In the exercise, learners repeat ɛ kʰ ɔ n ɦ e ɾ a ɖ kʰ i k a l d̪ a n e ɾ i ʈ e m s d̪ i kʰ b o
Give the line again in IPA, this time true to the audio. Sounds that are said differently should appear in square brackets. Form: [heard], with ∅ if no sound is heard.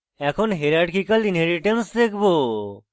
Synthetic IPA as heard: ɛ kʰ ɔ n ɦ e ɾ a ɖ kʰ i k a l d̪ [i] n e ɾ i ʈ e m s d̪ [e] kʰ b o